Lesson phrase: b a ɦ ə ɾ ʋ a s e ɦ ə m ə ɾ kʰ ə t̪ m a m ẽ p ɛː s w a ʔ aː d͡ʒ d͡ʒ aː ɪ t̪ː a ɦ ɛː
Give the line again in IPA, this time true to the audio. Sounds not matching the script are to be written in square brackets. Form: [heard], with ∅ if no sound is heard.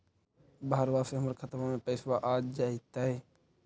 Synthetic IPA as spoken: b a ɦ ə ɾ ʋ a s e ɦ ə m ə ɾ kʰ ə t̪ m a m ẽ p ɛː s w a ʔ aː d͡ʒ d͡ʒ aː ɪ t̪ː a ɦ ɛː

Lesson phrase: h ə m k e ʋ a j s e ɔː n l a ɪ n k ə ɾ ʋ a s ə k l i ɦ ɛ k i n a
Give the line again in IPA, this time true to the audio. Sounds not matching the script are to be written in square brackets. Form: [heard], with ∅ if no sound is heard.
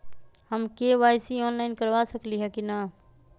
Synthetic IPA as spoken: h ə m k e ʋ a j s [i] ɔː n l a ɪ n k ə ɾ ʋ a s ə k l i ɦ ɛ k i n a

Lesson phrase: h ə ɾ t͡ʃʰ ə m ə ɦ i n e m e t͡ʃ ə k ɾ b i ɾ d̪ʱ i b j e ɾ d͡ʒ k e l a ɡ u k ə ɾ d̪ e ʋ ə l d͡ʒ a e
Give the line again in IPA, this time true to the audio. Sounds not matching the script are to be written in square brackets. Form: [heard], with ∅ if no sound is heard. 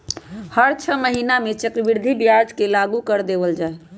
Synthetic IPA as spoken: h ə ɾ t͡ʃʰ ə m ə ɦ i n [a] m e t͡ʃ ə k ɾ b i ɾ d̪ʱ i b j [a] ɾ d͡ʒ k e l a ɡ u k ə ɾ d̪ e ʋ ə l d͡ʒ a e

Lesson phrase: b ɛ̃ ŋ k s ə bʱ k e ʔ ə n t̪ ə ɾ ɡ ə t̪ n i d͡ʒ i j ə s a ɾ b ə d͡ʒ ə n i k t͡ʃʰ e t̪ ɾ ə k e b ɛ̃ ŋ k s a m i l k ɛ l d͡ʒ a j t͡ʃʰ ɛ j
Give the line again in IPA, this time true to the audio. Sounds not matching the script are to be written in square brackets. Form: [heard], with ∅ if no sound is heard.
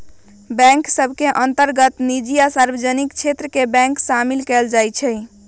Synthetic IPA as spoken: b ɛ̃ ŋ k s ə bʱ k e ʔ ə n t̪ ə ɾ ɡ ə t̪ n i d͡ʒ i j [a] s a ɾ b ə d͡ʒ ə n i k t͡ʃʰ e t̪ ɾ ə k e b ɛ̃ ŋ k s a m i l k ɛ l d͡ʒ a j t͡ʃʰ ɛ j

